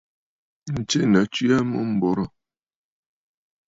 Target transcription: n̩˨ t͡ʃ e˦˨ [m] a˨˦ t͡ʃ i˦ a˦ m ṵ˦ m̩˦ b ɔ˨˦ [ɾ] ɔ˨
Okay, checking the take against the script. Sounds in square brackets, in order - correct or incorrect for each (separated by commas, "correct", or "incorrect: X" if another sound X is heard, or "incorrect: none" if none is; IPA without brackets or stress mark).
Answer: incorrect: n, correct